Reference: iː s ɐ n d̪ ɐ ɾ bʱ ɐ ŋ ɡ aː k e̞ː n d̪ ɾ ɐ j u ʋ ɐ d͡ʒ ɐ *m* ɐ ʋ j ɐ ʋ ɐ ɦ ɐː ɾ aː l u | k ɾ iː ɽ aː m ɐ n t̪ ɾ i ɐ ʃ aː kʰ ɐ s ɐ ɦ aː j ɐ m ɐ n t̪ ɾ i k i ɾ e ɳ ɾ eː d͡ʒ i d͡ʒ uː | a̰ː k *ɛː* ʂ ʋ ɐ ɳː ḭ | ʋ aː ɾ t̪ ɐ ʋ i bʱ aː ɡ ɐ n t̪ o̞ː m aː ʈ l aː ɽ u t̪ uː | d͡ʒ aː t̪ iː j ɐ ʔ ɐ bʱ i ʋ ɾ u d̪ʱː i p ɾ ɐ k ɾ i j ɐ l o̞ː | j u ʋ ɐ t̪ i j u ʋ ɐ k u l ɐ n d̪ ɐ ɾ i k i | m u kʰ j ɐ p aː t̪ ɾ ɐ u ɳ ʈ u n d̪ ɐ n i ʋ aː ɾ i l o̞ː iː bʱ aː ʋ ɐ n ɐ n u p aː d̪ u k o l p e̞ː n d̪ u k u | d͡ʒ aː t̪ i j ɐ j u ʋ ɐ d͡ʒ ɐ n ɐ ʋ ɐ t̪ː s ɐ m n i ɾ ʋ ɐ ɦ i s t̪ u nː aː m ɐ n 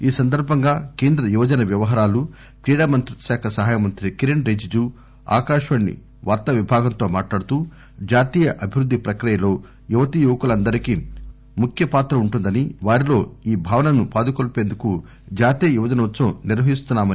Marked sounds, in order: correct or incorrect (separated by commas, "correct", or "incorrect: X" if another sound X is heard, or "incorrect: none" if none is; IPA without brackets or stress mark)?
incorrect: n, incorrect: aː